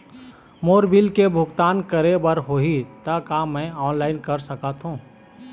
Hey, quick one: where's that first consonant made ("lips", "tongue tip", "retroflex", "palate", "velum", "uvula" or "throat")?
lips